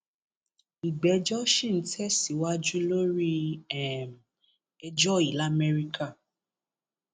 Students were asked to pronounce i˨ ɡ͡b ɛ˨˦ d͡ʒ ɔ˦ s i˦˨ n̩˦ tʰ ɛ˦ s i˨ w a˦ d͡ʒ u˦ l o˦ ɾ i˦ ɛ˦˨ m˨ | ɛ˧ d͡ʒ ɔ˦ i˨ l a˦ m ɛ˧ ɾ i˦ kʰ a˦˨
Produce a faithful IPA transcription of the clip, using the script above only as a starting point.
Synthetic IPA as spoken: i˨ ɡ͡b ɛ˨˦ d͡ʒ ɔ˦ ʃ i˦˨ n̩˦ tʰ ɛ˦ s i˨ w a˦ d͡ʒ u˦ l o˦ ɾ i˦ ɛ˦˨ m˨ | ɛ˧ d͡ʒ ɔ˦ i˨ l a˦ m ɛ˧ ɾ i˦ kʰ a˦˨

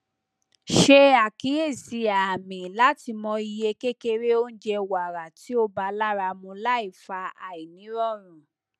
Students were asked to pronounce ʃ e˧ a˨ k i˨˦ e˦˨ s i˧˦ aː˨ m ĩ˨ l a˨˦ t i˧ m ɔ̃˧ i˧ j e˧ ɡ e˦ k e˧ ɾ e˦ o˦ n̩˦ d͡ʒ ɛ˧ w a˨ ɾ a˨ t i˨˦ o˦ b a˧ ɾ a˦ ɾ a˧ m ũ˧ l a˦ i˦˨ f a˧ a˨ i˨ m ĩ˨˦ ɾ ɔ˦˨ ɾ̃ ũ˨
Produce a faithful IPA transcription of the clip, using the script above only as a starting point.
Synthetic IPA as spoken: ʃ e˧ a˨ k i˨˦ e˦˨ s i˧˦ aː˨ m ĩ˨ l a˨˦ t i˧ m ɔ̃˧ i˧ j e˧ k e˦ k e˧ ɾ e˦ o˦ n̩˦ d͡ʒ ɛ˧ w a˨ ɾ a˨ t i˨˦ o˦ b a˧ l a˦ ɾ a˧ m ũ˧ l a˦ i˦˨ f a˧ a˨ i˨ n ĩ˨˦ ɾ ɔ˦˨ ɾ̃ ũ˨

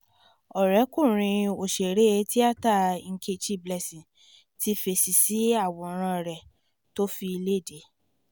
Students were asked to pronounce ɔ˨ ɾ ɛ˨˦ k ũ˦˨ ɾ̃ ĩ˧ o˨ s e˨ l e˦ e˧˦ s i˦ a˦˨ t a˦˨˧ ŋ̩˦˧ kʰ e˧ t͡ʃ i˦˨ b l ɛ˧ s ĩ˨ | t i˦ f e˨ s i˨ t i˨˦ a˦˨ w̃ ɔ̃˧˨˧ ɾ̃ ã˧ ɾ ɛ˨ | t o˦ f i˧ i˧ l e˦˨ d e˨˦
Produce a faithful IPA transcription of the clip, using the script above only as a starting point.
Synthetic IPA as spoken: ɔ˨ ɾ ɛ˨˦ k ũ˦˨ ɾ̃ ĩ˧ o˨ ʃ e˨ ɾ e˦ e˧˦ t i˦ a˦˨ t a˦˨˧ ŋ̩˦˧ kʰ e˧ t͡ʃ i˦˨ b l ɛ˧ s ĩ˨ | t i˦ f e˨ s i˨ s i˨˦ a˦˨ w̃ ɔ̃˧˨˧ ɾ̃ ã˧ ɾ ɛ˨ | t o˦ f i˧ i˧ l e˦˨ d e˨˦

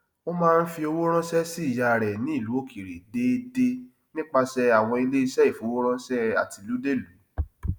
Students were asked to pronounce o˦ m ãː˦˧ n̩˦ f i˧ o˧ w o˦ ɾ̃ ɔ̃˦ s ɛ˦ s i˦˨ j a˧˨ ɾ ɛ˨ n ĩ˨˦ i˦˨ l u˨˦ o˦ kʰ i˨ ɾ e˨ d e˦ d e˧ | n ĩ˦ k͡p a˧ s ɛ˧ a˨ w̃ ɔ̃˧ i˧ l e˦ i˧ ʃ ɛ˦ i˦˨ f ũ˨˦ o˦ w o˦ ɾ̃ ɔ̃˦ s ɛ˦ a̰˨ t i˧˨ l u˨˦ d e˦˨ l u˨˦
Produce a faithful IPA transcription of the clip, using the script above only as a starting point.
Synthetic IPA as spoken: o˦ m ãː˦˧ n̩˦ f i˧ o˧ w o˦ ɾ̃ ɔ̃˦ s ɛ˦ s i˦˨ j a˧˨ ɾ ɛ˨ n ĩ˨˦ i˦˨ l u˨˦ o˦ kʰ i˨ ɾ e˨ d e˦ d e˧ | n ĩ˦ k͡p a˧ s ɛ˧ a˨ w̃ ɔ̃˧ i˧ l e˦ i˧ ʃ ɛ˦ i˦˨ f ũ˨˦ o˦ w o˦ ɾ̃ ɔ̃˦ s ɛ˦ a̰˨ t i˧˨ l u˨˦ d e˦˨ l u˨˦

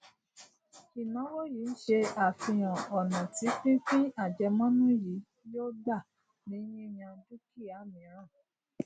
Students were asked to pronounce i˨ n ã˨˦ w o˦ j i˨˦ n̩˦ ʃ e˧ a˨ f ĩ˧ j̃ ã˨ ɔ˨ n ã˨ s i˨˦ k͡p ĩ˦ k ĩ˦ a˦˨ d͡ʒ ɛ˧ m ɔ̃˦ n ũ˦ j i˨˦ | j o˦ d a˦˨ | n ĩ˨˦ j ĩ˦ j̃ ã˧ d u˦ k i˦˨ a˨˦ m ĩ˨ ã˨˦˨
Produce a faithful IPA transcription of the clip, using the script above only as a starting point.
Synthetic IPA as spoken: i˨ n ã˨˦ w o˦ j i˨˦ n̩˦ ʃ e˧ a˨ f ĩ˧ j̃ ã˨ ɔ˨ n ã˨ t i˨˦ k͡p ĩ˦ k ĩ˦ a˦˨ d͡ʒ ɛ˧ m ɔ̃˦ n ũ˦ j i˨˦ | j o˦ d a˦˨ | n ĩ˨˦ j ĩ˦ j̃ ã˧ d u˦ k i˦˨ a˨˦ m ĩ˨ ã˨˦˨

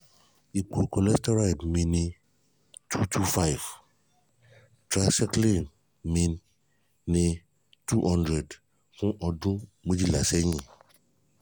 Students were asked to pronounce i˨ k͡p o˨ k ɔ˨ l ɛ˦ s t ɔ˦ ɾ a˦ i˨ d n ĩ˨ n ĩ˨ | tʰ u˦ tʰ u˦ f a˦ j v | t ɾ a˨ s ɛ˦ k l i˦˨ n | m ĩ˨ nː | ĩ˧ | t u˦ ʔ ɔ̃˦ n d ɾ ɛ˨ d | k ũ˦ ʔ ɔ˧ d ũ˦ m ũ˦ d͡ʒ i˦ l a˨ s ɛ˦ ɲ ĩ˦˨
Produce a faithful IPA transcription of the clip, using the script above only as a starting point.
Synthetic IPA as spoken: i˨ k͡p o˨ k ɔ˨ l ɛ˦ s t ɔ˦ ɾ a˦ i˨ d m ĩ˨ n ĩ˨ | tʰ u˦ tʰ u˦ f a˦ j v | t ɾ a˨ s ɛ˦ k l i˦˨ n | m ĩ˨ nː | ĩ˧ | t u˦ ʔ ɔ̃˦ n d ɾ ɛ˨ d | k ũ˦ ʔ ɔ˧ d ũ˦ m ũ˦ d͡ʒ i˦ l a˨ s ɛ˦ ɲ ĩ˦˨

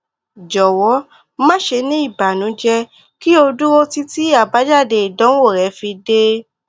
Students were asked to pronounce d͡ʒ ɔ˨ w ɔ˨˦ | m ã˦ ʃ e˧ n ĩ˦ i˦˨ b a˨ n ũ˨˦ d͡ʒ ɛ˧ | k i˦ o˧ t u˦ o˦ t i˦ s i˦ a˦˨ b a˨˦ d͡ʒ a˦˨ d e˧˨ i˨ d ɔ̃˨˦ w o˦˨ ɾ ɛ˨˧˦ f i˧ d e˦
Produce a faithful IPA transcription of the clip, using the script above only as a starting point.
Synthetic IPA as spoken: d͡ʒ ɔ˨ w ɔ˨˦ | m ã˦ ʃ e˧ n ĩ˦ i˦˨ b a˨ n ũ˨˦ d͡ʒ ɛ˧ | k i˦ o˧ d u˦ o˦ t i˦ t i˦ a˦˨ b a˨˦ d͡ʒ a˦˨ d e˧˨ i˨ d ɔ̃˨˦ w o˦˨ ɾ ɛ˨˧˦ f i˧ d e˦

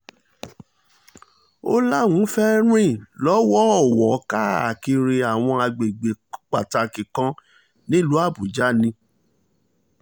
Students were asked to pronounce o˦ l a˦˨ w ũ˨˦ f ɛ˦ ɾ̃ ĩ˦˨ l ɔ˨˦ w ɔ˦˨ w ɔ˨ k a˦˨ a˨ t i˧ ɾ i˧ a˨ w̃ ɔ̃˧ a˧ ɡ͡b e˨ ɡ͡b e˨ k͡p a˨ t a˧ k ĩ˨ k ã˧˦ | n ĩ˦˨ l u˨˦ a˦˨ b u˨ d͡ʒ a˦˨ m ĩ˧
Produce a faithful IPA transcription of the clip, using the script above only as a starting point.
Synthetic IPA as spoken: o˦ l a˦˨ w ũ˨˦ f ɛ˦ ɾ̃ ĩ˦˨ l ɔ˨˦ w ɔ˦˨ w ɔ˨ k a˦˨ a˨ k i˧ ɾ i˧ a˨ w̃ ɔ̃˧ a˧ ɡ͡b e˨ ɡ͡b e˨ k͡p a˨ t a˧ k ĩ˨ k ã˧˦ | n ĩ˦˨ l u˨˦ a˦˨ b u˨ d͡ʒ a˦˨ n ĩ˧

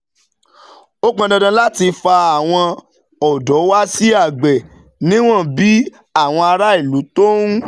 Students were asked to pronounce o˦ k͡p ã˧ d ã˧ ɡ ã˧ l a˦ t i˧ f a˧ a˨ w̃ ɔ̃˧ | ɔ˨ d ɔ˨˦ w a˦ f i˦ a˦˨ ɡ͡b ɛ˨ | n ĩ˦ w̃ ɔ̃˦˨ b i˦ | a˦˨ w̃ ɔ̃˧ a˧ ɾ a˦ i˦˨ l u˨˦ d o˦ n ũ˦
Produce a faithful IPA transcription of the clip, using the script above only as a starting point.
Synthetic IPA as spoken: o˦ k͡p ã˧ d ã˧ d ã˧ l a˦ t i˧ f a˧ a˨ w̃ ɔ̃˧ | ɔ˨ d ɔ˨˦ w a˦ s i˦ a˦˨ ɡ͡b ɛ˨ | n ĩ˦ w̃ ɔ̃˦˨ b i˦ | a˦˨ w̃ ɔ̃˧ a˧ ɾ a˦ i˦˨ l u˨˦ t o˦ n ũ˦

